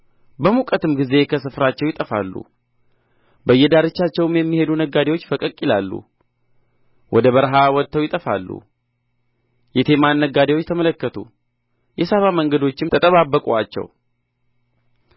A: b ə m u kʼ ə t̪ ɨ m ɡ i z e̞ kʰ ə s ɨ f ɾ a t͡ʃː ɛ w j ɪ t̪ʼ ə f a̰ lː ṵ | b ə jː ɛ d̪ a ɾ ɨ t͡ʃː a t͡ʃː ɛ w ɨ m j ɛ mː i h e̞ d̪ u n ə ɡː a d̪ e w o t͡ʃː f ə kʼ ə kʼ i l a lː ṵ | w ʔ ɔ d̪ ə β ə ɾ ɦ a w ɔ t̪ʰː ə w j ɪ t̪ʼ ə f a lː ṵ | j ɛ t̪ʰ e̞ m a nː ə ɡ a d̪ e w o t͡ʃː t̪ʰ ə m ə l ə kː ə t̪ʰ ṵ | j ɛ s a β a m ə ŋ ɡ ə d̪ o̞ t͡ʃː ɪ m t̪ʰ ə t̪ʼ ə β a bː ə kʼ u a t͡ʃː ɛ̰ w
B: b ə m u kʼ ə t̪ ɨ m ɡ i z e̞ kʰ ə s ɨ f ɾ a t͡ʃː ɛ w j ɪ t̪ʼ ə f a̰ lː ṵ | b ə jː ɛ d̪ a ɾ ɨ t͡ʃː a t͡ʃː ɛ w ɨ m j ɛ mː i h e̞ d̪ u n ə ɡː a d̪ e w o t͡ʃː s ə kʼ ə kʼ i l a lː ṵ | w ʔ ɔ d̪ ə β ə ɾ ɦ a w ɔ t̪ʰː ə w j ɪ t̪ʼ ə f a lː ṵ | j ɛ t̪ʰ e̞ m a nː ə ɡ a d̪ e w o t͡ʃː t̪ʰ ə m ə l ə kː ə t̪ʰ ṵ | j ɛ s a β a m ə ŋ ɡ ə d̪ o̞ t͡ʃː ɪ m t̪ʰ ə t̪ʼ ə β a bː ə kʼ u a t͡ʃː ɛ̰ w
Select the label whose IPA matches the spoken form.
A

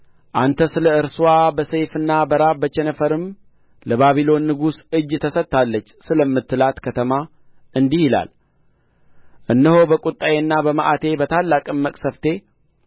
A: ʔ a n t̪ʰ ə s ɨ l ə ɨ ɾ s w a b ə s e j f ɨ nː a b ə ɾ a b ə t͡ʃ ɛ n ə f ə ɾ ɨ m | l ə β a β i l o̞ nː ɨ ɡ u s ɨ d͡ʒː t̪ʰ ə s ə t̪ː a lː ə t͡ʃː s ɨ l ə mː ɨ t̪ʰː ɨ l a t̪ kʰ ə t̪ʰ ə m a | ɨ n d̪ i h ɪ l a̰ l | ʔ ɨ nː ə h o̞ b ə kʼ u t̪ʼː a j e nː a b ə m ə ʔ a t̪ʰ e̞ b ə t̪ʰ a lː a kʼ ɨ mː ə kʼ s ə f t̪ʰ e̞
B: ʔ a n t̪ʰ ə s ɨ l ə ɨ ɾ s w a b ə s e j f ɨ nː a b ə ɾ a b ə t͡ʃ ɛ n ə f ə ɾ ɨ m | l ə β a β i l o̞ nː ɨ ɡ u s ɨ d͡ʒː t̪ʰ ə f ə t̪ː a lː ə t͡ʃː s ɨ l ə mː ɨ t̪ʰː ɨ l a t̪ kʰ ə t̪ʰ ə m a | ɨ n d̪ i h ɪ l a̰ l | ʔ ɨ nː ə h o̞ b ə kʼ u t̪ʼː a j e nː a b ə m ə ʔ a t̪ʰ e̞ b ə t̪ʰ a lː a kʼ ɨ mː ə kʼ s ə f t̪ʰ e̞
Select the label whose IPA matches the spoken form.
A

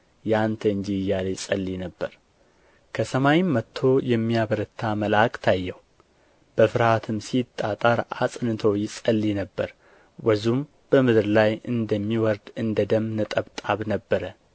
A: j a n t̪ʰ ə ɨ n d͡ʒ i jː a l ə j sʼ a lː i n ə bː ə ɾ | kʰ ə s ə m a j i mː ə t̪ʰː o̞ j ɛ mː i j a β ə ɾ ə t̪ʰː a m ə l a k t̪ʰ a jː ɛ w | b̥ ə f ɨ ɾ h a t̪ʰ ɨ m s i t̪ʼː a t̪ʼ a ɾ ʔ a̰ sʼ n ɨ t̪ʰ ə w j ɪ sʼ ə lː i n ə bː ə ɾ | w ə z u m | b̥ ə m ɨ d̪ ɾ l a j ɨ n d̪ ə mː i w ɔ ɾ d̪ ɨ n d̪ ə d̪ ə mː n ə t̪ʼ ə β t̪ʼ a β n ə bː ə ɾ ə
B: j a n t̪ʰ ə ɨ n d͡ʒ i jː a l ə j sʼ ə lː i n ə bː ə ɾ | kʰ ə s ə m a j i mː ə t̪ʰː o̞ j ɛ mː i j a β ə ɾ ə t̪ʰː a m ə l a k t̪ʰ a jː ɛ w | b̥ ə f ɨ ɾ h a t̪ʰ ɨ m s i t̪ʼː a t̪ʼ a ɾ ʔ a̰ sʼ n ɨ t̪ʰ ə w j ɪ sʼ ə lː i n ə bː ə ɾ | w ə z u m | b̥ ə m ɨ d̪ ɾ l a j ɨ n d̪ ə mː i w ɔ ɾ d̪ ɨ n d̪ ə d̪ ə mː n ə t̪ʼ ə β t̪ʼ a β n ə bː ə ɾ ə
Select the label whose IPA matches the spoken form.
B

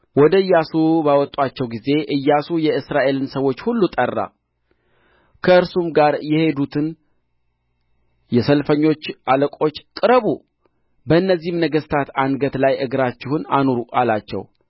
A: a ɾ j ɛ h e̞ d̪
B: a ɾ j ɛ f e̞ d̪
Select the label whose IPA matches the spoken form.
A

